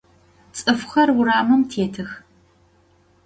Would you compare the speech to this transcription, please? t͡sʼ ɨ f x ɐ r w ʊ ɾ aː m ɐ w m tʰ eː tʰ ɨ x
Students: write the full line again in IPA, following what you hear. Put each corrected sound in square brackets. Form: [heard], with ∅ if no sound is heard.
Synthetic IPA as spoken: t͡sʼ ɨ f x ɐ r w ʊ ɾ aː m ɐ [∅] m tʰ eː tʰ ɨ x